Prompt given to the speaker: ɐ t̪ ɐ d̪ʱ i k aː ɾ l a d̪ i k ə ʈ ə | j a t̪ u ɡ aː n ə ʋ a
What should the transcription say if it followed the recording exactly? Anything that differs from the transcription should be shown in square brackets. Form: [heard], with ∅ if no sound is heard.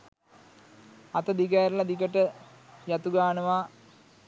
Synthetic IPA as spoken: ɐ t̪ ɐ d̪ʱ i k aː ɾ l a d̪ i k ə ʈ ə | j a t̪ u ɡ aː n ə ʋ a